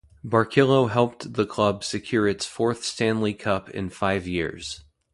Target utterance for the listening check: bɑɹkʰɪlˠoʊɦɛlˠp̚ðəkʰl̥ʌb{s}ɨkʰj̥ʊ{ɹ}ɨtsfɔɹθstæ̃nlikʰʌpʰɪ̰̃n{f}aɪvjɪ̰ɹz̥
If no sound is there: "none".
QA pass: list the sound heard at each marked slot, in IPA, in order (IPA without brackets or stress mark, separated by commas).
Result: s, ɹ, f